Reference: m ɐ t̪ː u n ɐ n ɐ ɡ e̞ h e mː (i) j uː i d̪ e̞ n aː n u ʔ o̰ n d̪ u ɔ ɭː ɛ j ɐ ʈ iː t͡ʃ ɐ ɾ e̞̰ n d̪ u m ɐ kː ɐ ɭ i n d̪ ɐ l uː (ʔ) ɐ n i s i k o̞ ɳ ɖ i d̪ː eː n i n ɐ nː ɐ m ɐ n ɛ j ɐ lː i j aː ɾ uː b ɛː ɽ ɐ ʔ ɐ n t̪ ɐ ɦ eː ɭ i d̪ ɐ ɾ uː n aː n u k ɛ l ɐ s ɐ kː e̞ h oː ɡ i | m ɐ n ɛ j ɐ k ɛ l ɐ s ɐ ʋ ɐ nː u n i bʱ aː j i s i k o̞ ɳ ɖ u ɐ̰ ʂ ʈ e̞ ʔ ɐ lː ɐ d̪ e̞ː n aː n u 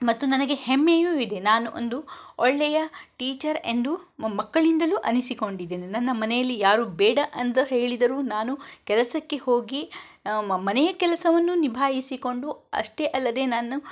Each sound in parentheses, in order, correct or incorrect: incorrect, correct

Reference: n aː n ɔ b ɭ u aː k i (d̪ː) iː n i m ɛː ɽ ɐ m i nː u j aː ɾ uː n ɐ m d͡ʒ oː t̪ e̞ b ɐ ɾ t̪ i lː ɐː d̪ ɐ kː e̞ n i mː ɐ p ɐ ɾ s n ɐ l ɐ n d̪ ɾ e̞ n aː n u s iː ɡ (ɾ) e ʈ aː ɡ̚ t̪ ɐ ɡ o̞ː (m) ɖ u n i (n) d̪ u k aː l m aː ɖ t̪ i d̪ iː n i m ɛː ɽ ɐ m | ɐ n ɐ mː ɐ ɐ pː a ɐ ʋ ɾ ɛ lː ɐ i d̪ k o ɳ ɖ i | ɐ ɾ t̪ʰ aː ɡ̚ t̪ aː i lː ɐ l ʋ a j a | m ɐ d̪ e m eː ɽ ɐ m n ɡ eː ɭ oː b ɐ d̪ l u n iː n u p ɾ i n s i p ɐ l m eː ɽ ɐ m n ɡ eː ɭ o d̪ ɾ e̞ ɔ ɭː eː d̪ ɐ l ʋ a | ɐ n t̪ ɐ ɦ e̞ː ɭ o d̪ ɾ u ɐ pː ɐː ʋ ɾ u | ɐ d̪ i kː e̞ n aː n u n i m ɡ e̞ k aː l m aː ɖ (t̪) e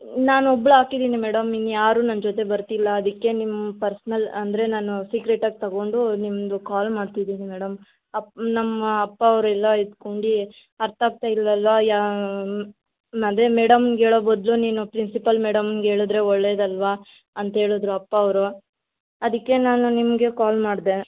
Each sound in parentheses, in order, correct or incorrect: incorrect, correct, incorrect, incorrect, incorrect

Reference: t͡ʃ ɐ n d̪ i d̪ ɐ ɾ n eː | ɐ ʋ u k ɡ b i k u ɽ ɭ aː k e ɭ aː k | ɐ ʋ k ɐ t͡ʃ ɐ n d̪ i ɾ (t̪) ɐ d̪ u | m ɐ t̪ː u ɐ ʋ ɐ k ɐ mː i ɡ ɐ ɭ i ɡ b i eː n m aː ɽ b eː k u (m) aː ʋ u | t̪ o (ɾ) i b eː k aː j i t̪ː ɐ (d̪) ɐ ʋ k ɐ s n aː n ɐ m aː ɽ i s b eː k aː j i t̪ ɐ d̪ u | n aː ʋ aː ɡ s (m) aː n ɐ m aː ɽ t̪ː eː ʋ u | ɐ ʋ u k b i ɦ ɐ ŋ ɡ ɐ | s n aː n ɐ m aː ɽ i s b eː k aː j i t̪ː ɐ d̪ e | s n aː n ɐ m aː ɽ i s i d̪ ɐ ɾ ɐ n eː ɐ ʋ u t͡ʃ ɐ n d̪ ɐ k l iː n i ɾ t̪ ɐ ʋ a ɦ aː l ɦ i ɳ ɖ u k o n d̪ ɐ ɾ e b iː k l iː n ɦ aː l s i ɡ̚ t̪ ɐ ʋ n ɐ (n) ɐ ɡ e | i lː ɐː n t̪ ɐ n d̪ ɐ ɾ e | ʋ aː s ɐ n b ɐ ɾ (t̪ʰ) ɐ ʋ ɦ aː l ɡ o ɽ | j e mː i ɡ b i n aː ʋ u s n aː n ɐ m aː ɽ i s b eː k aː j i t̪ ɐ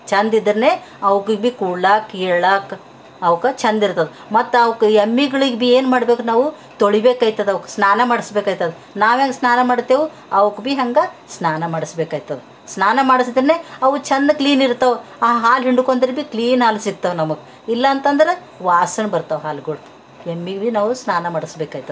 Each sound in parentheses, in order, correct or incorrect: correct, incorrect, incorrect, correct, incorrect, incorrect, incorrect

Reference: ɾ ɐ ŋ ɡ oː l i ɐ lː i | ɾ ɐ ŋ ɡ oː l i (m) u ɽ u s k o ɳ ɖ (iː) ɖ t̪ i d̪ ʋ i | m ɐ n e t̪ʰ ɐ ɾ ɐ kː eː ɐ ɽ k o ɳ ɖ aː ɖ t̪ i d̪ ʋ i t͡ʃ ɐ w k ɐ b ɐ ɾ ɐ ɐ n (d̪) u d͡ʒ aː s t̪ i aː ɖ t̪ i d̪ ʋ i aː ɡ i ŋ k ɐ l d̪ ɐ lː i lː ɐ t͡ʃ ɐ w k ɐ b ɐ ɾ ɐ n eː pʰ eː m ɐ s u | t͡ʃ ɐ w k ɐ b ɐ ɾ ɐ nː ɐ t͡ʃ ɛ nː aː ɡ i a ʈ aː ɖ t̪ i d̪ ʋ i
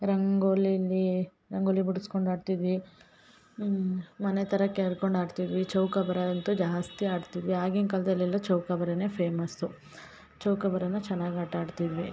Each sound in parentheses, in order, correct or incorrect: incorrect, incorrect, incorrect

